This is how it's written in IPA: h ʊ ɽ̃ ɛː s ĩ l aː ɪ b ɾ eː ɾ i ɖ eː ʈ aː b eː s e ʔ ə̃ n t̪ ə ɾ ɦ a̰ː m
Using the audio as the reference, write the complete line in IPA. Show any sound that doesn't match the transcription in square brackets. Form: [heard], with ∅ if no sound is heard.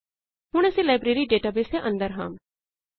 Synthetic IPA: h ʊ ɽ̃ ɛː s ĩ l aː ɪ b ɾ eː ɾ i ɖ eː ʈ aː b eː s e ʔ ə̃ n [d̪] ə ɾ ɦ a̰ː m

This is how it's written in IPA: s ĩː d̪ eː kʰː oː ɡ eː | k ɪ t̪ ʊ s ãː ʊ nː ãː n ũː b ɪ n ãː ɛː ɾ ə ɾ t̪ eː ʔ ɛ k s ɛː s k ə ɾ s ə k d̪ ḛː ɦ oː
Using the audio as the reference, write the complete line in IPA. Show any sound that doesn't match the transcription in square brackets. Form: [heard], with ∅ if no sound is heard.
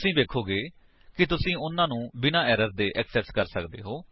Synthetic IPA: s ĩː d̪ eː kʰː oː ɡ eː | k ɪ t̪ ʊ s [ĩː] ʊ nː ãː n ũː b ɪ n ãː ɛː ɾ ə ɾ [d̪] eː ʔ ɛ k s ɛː s k ə ɾ s ə k d̪ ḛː ɦ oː

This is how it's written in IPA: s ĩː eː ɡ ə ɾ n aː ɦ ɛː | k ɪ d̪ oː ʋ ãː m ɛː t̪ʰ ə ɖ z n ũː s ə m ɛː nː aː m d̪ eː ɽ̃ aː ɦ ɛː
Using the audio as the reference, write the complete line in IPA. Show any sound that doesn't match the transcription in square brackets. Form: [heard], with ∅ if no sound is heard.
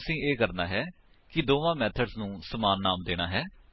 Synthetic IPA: s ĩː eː [k] ə ɾ n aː ɦ ɛː | k ɪ d̪ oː ʋ ãː m ɛː t̪ʰ ə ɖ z n ũː s ə m [aː] nː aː m d̪ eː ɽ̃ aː ɦ ɛː

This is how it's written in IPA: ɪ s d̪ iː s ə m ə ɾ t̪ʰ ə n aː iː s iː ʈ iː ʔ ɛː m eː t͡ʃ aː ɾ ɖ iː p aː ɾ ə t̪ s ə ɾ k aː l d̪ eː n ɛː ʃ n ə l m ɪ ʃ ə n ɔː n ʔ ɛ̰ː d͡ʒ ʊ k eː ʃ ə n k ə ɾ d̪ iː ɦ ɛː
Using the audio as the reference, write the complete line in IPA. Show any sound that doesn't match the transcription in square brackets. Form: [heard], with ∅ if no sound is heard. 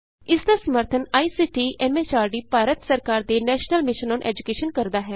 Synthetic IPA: ɪ s d̪ [aː] s ə m ə ɾ t̪ʰ ə n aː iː s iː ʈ iː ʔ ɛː m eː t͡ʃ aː ɾ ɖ iː p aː ɾ ə t̪ s ə ɾ k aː [ɾ] d̪ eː n ɛː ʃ n ə l m ɪ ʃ ə n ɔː n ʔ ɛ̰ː d͡ʒ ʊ k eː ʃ ə n k ə ɾ d̪ [aː] ɦ ɛː

